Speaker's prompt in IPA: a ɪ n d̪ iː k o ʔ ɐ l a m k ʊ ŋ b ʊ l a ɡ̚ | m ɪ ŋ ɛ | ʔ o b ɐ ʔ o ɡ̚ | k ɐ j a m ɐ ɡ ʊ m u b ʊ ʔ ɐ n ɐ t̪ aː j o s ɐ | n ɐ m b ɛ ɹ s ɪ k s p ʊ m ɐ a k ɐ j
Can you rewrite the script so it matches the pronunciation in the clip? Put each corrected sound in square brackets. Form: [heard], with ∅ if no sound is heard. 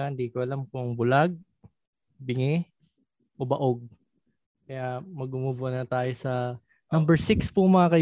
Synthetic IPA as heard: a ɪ n d̪ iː k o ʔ ɐ l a m k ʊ ŋ b ʊ l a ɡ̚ | [b] ɪ ŋ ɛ | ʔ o b ɐ ʔ o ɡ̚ | k ɐ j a m ɐ ɡ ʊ m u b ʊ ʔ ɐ n ɐ t̪ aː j o s ɐ | n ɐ m b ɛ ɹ s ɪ k s p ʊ m ɐ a k ɐ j